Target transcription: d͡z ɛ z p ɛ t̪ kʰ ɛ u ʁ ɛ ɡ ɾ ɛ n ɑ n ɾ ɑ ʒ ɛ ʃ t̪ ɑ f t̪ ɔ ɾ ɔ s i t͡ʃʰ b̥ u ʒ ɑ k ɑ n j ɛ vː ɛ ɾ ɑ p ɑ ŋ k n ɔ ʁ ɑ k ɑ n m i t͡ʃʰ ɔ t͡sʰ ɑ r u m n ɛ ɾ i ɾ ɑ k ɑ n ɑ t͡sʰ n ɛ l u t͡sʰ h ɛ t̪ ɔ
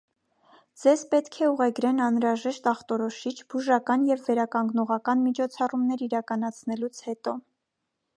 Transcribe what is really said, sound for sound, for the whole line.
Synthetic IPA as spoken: d͡z ɛ z p ɛ t̪ kʰ ɛ u ʁ ɛ ɡ ɾ ɛ n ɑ n ɾ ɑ ʒ ɛ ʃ t̪ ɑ χ t̪ ɔ ɾ ɔ ʃ i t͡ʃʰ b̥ u ʒ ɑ k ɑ n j ɛ vː ɛ ɾ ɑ k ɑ ŋ ɡ n ɔ ʁ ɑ k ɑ n m i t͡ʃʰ ɔ t͡sʰ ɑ r u m n ɛ ɾ i ɾ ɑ k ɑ n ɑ t͡sʰ n ɛ l u t͡sʰ h ɛ t̪ ɔ